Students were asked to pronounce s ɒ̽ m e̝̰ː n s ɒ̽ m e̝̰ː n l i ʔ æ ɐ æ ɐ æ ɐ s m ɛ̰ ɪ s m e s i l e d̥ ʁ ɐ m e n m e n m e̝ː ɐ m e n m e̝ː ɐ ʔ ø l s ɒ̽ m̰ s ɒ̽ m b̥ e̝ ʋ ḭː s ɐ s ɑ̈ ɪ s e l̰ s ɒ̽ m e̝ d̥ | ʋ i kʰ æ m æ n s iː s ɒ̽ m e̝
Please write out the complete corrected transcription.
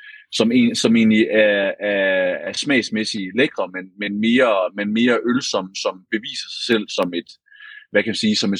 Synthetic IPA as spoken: s ɒ̽ m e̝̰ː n s ɒ̽ m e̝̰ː n l i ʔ æ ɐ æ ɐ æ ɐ s m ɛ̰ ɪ s m e s i l e ɡ̥ ʁ ɐ m e n m e n m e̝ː ɐ m e n m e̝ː ɐ ʔ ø l s ɒ̽ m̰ s ɒ̽ m b̥ e̝ ʋ ḭː s ɐ s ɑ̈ ɪ s e l̰ s ɒ̽ m e̝ d̥ | ʋ æ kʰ æ m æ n s iː s ɒ̽ m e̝